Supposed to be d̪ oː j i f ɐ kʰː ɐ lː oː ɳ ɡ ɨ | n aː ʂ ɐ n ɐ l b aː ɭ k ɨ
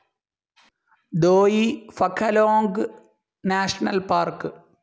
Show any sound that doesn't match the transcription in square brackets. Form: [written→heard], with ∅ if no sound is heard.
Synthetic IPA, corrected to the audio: d̪ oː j i f ɐ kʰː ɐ [lː→l] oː [ɳ→ŋ] ɡ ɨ | n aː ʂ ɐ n ɐ l [b→p] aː [ɭ→r] k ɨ